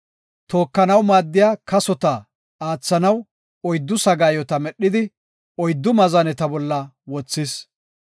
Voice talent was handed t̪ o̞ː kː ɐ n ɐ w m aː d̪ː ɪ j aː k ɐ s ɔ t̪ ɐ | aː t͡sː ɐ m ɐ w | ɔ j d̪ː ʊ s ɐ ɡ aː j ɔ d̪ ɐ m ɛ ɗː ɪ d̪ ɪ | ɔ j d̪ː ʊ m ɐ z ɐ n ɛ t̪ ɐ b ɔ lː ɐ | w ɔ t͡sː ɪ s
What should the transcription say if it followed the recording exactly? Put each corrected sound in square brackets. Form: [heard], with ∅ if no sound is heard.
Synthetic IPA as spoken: t̪ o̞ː kː ɐ n ɐ w m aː d̪ː ɪ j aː k ɐ s ɔ t̪ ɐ | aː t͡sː ɐ [n] ɐ w | ɔ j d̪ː ʊ s ɐ ɡ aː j ɔ [t̪] ɐ m ɛ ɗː ɪ d̪ ɪ | ɔ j d̪ː ʊ m ɐ z ɐ n ɛ t̪ ɐ b ɔ lː ɐ | w ɔ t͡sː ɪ s